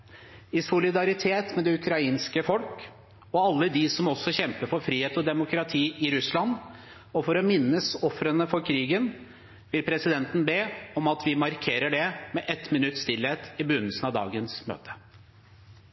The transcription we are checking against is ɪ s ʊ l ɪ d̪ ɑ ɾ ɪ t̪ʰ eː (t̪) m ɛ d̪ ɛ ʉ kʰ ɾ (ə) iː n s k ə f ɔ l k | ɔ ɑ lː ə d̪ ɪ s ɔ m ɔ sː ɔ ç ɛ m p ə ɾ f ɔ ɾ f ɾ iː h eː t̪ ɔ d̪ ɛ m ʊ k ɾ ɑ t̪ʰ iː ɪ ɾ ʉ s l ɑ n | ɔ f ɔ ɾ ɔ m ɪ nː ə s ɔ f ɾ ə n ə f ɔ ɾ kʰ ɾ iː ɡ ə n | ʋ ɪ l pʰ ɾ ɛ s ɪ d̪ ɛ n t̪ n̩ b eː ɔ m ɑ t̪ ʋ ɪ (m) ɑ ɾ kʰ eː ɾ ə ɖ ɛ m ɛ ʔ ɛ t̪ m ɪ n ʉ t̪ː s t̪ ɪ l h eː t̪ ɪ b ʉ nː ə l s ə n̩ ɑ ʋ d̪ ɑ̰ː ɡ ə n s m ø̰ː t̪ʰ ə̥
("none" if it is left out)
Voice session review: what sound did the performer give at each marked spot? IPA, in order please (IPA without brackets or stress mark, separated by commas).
t̪, ɑ, m